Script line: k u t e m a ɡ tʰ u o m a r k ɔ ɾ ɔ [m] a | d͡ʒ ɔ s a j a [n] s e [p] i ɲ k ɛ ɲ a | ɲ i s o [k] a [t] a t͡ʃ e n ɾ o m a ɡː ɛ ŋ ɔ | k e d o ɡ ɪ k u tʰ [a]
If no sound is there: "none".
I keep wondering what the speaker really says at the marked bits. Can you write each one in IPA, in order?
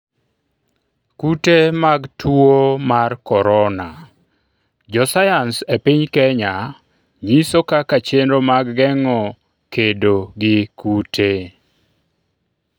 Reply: n, n, p, k, k, e

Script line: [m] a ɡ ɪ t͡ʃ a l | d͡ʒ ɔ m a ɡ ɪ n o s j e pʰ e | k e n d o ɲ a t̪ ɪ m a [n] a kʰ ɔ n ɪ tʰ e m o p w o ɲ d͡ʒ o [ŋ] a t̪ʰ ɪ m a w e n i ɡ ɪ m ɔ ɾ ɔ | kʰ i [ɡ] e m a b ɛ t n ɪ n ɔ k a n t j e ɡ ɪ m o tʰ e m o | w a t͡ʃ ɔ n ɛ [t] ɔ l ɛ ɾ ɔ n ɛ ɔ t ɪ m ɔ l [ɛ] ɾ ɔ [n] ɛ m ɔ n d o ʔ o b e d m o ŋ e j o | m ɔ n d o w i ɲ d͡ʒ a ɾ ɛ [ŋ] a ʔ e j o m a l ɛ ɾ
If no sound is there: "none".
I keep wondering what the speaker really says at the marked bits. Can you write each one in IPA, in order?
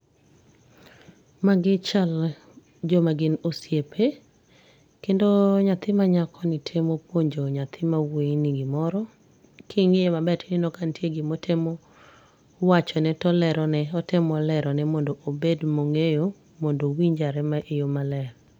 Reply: m, ɲ, ɲ, ŋ, t, ɛ, n, m

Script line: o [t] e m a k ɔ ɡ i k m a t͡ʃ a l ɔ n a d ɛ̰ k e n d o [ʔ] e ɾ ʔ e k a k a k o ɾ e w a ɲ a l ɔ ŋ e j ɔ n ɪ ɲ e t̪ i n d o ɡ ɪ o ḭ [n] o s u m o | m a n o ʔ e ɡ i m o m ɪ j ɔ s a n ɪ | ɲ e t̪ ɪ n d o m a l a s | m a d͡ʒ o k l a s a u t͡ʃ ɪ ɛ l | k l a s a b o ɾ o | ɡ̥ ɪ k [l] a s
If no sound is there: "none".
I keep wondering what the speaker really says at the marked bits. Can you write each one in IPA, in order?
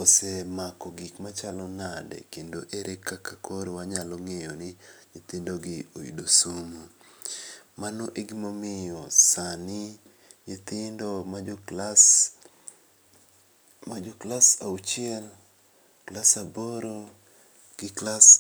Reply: s, ʔ, d, l

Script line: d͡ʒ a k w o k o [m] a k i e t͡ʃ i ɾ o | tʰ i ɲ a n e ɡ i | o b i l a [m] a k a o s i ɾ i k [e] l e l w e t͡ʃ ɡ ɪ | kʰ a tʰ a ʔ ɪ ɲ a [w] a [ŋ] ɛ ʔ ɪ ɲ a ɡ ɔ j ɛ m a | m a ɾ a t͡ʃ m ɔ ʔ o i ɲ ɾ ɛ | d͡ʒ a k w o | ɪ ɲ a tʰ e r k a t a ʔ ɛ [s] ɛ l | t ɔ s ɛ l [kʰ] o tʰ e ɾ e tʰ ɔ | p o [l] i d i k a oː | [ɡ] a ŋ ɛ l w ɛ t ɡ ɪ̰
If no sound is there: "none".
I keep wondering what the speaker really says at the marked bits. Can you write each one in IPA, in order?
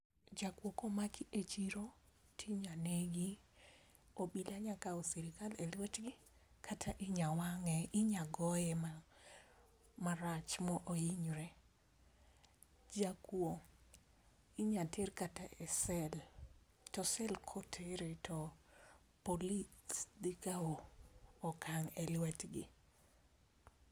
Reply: m, ɲ, a, w, ŋ, s, kʰ, l, k

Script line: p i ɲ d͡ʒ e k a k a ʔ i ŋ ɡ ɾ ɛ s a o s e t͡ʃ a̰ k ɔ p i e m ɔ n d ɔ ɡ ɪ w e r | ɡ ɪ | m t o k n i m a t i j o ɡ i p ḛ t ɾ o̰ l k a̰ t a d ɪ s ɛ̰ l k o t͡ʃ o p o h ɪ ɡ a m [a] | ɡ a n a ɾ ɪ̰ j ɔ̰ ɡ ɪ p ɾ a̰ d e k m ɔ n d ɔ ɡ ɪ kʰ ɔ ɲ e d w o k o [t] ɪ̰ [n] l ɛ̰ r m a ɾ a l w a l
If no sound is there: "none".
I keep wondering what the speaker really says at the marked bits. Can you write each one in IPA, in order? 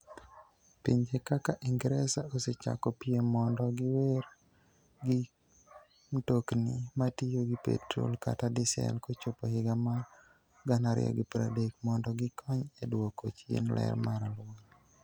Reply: a, t͡ʃ, n

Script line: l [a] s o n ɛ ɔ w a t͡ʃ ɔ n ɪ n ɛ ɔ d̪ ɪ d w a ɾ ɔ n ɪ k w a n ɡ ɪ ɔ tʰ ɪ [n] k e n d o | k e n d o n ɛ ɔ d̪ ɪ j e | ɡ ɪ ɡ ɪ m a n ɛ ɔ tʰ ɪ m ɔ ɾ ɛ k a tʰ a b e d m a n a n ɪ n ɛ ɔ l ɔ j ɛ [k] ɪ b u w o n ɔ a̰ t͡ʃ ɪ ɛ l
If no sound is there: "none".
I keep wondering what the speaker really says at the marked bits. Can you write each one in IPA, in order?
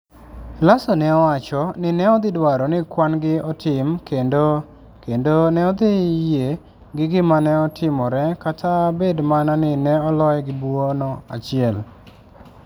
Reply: a, m, ɡ

